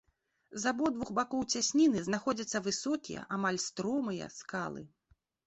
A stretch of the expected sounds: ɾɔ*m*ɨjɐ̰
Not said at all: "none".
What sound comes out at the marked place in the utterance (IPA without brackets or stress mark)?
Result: m